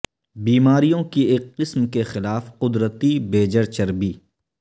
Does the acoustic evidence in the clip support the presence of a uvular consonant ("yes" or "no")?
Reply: yes